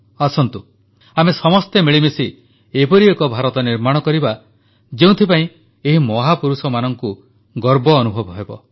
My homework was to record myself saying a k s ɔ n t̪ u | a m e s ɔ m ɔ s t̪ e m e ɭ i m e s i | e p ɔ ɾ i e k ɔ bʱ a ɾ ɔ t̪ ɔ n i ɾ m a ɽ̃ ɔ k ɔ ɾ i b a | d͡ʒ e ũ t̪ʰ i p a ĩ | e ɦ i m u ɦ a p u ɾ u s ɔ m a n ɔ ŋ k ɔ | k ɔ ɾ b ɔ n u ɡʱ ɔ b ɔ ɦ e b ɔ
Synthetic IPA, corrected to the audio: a s ɔ n t̪ u | a m e s ɔ m ɔ s t̪ e m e ɭ i m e s i | e p ɔ ɾ i e k ɔ bʱ a ɾ ɔ t̪ ɔ n i ɾ m a ɽ̃ ɔ k ɔ ɾ i b a | d͡ʒ e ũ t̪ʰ i p a ĩ | e ɦ i m ɔ ɦ a p u ɾ u s ɔ m a n ɔ ŋ k u | ɡ ɔ ɾ b ɔː n u bʱ ɔ b ɔ ɦ e b ɔ